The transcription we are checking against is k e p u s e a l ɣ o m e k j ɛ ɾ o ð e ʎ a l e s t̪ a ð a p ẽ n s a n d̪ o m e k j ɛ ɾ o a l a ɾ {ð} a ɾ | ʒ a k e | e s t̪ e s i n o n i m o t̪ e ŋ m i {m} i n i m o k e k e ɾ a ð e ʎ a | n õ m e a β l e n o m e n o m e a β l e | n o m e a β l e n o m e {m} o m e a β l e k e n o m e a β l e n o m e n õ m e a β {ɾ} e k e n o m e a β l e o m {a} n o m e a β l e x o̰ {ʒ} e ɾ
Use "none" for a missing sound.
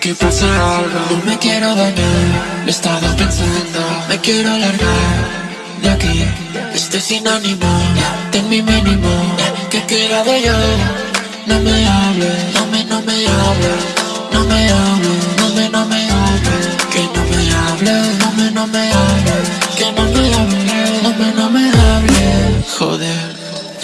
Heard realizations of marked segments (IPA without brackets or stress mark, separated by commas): ɣ, m, n, l, e, ð